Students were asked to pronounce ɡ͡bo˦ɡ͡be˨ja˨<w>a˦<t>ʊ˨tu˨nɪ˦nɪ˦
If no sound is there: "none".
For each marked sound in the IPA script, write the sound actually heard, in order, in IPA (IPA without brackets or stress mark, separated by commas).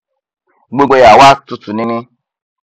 w, t